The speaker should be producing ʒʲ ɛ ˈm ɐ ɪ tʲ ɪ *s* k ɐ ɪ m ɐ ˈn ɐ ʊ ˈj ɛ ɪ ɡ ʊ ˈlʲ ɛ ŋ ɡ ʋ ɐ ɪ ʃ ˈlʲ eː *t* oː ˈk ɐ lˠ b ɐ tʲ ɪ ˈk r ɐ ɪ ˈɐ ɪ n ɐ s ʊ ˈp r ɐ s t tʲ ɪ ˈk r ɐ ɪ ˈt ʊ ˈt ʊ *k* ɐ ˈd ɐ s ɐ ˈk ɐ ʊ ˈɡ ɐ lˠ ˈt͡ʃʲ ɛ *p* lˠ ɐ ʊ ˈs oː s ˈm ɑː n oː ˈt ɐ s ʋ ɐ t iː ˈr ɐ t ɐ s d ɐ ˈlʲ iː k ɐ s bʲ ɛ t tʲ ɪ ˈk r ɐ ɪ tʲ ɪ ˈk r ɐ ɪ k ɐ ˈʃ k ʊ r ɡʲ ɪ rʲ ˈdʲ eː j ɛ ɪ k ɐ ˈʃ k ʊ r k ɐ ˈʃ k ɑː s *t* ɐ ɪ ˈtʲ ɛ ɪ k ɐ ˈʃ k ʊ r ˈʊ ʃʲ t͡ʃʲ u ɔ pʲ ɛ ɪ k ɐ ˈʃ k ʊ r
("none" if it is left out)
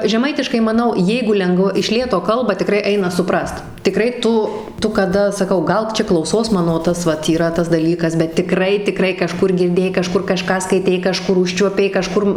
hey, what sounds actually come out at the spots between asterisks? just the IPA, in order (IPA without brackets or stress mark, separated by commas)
ʃ, t, k, k, k